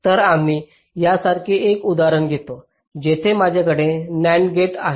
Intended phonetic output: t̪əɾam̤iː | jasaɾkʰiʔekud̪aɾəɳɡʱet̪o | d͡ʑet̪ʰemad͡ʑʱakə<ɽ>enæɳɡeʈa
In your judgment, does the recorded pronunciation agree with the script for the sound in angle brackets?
yes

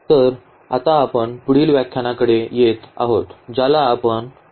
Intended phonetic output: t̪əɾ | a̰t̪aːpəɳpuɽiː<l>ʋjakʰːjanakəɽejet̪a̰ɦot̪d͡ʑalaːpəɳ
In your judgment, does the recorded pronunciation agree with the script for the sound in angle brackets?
yes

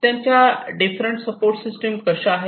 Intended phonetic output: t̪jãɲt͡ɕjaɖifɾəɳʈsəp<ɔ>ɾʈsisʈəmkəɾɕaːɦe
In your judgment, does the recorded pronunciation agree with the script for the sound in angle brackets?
no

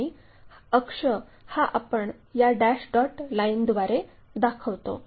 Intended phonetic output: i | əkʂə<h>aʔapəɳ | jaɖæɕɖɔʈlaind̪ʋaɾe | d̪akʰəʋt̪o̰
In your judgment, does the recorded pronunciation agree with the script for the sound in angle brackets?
yes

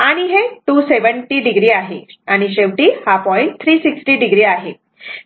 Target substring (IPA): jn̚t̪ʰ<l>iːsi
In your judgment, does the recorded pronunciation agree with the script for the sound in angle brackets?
no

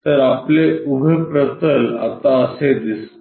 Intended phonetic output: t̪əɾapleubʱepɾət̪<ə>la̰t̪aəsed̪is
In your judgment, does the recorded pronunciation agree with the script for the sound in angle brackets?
yes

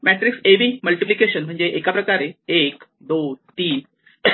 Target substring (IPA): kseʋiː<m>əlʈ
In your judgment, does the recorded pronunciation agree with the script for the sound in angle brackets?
yes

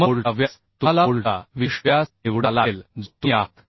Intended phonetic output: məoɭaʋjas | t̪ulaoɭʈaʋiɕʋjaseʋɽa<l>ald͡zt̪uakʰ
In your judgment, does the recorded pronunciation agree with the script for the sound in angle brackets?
yes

